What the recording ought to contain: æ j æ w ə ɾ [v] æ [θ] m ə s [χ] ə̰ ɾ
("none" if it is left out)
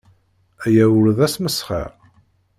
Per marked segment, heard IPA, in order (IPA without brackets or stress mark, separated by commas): ð, s, χ